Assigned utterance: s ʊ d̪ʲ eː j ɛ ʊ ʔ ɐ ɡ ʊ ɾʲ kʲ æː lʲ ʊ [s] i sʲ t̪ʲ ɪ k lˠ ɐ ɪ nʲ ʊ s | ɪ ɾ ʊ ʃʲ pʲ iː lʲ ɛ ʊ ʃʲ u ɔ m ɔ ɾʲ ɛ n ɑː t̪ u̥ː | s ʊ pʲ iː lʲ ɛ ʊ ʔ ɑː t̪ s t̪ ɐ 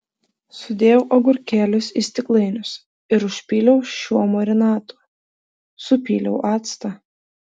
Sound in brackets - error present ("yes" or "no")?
no